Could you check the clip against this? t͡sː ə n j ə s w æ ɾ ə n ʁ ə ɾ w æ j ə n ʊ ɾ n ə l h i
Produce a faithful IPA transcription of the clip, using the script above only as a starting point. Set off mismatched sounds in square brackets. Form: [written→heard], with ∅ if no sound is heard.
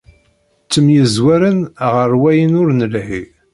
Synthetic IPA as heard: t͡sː ə [n→m] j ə [s→z] w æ ɾ ə n ʁ ə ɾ w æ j ə n ʊ ɾ n ə l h i